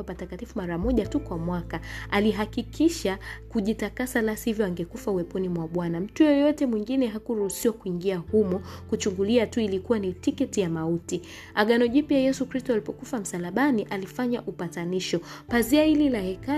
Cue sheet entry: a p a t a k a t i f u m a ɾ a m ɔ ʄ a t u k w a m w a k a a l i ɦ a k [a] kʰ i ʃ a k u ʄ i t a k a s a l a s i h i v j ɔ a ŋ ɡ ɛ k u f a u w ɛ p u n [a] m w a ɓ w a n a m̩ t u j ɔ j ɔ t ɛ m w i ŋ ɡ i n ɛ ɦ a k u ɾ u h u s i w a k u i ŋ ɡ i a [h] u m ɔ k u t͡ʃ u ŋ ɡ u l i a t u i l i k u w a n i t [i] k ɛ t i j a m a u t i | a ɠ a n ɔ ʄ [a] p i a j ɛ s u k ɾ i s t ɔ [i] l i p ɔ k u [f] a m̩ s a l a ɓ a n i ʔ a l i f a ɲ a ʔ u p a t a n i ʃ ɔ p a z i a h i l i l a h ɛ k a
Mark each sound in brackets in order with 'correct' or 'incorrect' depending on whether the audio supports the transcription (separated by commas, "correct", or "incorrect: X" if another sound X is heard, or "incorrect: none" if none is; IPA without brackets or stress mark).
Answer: incorrect: i, incorrect: i, correct, correct, incorrect: i, incorrect: a, correct